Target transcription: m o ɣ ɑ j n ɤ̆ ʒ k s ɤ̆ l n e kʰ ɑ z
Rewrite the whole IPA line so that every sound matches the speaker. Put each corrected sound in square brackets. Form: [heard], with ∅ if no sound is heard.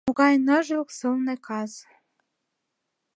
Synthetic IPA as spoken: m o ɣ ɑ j n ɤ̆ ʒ k s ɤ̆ l n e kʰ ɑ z